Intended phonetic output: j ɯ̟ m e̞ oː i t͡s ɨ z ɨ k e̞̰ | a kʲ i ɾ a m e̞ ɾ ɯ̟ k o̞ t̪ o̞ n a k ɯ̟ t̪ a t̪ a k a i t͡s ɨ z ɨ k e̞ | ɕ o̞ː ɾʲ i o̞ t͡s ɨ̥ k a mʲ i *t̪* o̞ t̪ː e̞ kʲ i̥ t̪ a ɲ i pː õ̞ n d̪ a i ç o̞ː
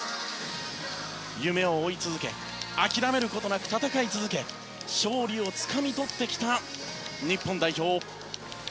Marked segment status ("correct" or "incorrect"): correct